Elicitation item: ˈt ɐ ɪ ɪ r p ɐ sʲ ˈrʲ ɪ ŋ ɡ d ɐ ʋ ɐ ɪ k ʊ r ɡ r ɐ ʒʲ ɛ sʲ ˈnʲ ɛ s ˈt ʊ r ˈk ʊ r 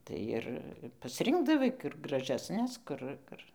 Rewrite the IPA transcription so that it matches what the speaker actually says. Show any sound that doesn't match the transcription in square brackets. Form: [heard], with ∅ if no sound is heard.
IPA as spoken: ˈt ɐ ɪ ɪ r p ɐ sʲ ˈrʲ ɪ ŋ ɡ d ɐ ʋ ɐ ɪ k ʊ r ɡ r ɐ ʒʲ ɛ sʲ ˈnʲ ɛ s [ˈk] ʊ r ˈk ʊ r